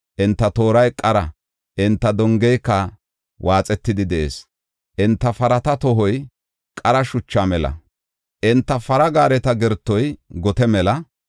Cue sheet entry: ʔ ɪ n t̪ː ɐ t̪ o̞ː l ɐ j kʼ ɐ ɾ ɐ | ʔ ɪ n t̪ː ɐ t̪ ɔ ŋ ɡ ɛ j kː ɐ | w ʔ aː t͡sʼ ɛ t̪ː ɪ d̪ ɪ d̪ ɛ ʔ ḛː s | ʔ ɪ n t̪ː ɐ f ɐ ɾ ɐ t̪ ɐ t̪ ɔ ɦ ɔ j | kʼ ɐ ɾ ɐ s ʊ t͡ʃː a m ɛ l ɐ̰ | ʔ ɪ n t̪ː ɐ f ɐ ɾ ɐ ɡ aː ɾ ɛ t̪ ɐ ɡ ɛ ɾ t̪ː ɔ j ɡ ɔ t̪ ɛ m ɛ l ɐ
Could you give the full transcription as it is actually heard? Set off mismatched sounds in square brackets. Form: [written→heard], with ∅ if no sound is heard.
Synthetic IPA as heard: ʔ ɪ n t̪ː ɐ t̪ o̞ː [l→ɾ] ɐ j kʼ ɐ ɾ ɐ | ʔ ɪ n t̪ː ɐ [t̪→d̪] ɔ ŋ ɡ ɛ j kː ɐ | w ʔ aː t͡sʼ ɛ t̪ː ɪ d̪ ɪ d̪ ɛ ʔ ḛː s | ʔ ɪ n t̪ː ɐ f ɐ ɾ ɐ t̪ ɐ t̪ ɔ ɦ ɔ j | kʼ ɐ ɾ ɐ [s→ʃ] ʊ t͡ʃː a m ɛ l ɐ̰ | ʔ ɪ n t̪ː ɐ f ɐ ɾ ɐ ɡ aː ɾ ɛ t̪ ɐ ɡ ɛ ɾ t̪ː ɔ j ɡ ɔ t̪ ɛ m ɛ l ɐ